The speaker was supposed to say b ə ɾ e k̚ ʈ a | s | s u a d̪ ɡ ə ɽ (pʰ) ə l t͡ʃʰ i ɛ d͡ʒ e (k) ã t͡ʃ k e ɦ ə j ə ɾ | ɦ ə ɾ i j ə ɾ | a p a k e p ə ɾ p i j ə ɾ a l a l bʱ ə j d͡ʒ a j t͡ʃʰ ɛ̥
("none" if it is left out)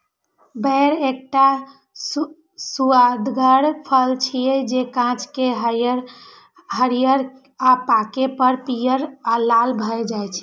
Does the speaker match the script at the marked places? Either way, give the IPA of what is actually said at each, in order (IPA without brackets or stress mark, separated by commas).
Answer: pʰ, k